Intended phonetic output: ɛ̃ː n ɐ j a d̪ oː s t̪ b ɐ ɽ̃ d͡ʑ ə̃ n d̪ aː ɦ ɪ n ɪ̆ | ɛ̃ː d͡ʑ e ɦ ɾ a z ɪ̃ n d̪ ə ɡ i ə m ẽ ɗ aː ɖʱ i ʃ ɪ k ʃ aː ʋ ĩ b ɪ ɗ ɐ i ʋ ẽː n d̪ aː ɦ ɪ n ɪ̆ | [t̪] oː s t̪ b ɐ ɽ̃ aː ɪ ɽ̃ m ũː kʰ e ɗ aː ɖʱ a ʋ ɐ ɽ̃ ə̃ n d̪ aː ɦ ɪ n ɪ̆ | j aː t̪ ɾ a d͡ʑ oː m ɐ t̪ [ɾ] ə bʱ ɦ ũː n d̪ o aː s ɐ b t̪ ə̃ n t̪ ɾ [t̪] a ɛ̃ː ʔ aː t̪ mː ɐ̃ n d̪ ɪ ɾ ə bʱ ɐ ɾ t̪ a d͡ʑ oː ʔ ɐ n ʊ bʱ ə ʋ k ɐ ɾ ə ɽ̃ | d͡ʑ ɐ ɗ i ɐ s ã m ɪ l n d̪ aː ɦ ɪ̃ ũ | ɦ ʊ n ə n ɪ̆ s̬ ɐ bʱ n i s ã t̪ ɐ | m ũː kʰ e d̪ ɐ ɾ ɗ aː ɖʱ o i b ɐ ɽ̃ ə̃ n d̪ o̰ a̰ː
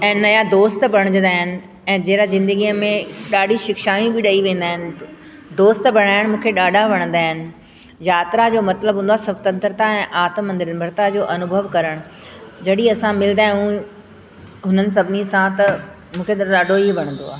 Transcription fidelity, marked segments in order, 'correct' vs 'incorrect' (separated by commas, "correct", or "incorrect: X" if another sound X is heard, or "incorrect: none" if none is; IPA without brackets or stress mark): incorrect: d̪, incorrect: l, correct